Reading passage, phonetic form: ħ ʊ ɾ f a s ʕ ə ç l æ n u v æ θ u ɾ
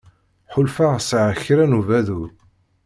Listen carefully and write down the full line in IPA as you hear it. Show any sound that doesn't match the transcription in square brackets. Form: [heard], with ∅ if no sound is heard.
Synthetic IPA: ħ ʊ [l] f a s ʕ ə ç [ɾ] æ n u v æ [ð] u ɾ